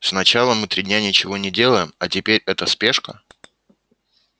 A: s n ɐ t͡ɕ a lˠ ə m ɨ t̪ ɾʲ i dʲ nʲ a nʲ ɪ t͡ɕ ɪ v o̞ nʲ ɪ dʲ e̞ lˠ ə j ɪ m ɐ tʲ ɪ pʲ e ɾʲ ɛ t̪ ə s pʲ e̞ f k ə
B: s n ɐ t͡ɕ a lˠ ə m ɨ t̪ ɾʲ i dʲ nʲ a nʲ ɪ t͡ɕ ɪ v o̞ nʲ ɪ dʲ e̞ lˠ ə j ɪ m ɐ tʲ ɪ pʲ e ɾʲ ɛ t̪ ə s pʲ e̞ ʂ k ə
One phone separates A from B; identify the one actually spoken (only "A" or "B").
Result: B